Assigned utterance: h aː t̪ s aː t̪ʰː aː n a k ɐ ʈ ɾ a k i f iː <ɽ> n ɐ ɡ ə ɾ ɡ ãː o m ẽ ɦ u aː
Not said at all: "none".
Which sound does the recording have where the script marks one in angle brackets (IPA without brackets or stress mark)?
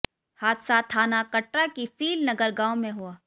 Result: l